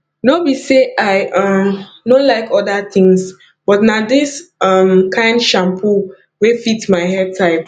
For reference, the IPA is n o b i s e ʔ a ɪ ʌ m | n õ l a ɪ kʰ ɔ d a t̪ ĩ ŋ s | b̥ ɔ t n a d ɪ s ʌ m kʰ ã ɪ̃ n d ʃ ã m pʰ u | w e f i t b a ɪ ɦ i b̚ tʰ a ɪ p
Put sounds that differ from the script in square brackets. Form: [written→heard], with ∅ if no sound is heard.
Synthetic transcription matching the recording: n o b i s e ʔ a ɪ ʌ m | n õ l a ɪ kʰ ɔ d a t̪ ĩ ŋ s | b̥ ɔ t n a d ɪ s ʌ m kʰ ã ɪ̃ n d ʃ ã m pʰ u | w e f i t [b→m] a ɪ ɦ [i→ɛ] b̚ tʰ a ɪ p